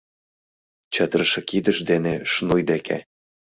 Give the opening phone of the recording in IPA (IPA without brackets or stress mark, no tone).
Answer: t͡ɕ